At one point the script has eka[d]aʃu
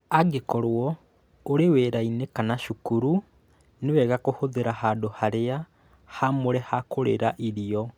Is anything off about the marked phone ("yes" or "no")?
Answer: yes